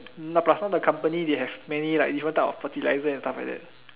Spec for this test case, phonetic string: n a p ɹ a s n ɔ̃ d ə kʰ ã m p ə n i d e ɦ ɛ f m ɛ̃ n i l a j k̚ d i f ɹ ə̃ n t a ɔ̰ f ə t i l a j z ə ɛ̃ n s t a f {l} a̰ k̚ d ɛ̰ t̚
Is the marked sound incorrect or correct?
correct